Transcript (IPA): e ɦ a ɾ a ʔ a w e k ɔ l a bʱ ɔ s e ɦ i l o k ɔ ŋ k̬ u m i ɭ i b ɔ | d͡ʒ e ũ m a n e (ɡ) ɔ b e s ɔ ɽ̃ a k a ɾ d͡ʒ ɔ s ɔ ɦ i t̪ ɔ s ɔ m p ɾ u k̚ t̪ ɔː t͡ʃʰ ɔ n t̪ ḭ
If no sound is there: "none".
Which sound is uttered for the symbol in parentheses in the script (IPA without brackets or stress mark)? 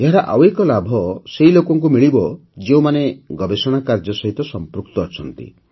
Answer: ɡ